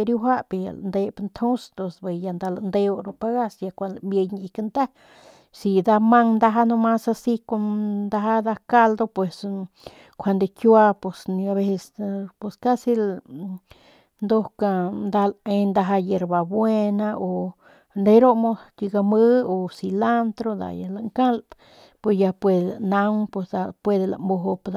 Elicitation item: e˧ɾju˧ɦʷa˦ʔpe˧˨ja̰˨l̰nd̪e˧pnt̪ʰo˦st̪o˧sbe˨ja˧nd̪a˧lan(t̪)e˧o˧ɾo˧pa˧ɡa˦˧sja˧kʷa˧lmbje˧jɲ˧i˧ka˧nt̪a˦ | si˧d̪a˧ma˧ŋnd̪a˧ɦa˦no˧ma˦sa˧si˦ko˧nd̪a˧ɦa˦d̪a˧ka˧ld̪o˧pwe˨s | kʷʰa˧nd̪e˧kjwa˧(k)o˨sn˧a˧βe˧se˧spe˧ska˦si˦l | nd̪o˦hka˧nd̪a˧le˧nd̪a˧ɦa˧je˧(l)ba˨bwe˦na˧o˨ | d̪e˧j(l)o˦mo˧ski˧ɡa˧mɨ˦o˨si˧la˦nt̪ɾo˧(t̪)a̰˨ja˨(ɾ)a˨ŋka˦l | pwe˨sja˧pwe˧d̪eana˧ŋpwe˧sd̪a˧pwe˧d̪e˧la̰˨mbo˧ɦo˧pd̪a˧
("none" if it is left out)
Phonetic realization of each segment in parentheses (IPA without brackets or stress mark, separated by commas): d̪, p, ɾ, ɾ, d̪, l